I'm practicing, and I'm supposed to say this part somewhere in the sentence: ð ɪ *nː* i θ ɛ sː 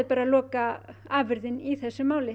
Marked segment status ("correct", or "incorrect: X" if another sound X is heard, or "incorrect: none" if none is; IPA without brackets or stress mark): incorrect: n